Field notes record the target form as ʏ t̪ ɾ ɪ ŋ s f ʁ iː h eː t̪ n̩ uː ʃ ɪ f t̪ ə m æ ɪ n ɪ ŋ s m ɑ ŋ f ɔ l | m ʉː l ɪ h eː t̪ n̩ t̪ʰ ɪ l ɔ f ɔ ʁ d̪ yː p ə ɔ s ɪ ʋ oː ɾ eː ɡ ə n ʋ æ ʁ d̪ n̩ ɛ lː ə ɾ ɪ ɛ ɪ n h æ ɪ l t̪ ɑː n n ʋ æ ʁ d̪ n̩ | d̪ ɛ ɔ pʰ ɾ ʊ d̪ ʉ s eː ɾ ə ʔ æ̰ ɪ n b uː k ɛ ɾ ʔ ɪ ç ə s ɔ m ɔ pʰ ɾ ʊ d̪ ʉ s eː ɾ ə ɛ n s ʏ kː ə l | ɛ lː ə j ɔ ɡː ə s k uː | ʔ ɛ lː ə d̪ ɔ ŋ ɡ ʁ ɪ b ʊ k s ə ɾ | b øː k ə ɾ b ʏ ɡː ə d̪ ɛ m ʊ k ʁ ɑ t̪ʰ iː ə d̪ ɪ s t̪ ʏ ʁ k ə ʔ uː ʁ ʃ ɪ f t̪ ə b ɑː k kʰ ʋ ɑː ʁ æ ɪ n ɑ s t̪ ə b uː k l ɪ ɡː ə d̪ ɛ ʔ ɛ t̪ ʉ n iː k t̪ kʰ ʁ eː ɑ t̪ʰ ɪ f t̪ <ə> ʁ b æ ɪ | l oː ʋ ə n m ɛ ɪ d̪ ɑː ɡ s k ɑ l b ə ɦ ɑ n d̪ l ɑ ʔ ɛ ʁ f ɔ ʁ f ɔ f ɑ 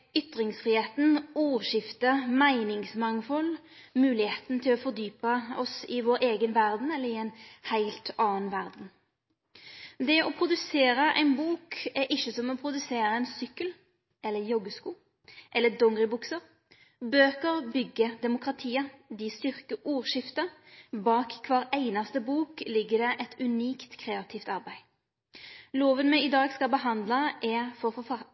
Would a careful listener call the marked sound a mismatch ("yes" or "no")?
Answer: yes